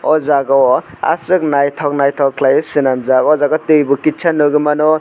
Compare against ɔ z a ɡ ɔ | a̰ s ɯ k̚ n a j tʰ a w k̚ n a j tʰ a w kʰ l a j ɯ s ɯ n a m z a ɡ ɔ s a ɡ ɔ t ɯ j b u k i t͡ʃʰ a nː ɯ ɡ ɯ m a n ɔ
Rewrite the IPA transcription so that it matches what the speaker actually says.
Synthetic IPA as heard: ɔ z a ɡ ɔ | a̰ s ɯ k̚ n a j tʰ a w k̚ n a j tʰ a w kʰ l a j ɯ s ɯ n a m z a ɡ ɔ z a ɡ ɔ t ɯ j b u k i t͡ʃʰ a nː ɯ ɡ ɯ m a n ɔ